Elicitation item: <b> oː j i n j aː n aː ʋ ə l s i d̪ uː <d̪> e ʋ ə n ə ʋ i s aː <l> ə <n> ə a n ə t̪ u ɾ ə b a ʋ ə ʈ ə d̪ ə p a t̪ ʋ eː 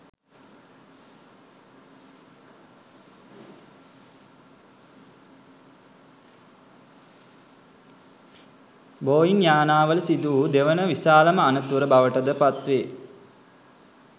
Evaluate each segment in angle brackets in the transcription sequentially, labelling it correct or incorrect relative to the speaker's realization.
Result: correct, correct, correct, incorrect: m

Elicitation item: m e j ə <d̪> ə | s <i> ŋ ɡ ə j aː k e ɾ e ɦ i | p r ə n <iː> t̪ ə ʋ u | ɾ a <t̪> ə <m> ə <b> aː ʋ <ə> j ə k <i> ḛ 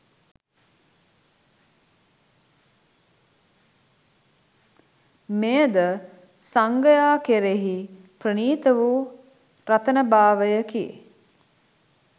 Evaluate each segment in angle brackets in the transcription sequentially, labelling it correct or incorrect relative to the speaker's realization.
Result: correct, incorrect: a, correct, correct, incorrect: n, correct, correct, correct

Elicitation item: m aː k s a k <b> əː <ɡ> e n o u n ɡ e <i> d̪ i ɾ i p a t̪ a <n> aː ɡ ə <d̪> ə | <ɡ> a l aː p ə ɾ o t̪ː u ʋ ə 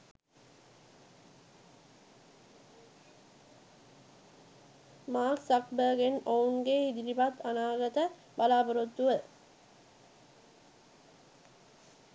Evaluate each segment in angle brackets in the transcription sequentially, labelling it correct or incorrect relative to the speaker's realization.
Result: correct, correct, correct, correct, incorrect: t̪, incorrect: b

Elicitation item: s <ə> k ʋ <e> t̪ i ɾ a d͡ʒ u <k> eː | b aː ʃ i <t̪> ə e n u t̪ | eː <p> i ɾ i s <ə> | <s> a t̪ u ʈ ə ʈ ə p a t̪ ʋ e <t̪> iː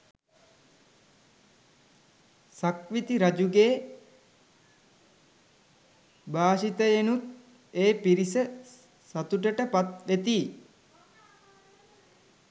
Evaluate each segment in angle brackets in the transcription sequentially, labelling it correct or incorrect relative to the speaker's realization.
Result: incorrect: a, incorrect: i, incorrect: ɡ, correct, correct, correct, correct, correct

